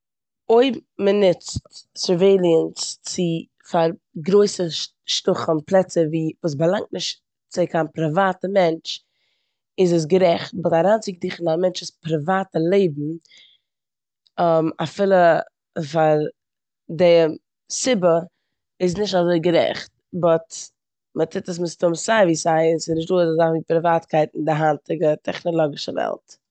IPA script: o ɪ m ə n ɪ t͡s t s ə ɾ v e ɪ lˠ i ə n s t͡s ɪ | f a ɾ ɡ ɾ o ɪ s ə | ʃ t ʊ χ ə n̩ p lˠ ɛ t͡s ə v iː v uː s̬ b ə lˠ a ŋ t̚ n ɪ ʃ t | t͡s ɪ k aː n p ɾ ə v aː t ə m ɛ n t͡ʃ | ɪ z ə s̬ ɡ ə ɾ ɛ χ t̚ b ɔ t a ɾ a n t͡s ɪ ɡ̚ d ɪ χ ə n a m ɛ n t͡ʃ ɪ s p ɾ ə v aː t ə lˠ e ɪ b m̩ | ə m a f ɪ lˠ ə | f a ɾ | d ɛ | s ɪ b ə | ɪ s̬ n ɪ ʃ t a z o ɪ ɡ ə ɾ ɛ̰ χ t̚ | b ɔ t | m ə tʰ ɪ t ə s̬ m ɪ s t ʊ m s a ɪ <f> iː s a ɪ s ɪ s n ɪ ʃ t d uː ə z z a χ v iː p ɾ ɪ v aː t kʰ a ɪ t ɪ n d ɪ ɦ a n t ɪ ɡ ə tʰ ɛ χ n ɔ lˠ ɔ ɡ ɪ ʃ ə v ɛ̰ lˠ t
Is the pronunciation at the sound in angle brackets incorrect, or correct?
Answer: incorrect